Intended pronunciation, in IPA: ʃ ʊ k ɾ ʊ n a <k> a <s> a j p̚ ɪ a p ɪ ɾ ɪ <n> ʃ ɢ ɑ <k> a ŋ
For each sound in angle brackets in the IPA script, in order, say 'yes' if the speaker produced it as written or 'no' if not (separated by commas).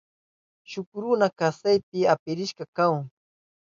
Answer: yes, yes, no, yes